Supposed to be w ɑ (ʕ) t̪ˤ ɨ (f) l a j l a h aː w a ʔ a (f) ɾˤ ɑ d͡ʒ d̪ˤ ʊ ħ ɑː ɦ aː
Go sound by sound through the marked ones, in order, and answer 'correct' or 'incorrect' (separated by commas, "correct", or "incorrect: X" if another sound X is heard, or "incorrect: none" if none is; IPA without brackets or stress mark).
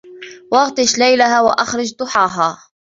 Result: incorrect: ɣ, incorrect: ʃ, incorrect: x